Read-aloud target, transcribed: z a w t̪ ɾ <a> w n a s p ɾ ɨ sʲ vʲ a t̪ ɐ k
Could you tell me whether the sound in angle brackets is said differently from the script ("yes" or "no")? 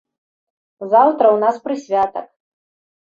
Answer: yes